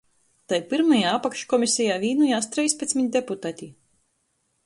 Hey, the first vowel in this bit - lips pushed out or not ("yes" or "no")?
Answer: no